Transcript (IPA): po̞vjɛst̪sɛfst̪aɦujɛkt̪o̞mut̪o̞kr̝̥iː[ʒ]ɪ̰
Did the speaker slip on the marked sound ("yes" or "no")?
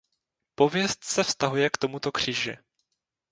no